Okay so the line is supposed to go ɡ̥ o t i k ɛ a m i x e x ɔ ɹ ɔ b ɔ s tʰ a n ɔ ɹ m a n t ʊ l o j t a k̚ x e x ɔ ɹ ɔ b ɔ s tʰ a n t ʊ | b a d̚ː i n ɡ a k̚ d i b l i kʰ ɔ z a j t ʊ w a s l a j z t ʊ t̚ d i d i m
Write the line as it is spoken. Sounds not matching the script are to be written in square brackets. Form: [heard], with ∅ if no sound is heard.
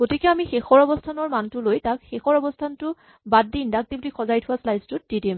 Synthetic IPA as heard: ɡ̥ o t i k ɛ a m i x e x ɔ ɹ ɔ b ɔ s tʰ a n ɔ ɹ m a n t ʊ l o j t a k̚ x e x ɔ ɹ ɔ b ɔ s tʰ a n t ʊ | b a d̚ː i n [d] a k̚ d i b l i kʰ ɔ z a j [tʰ] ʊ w a s l a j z t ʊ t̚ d i d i m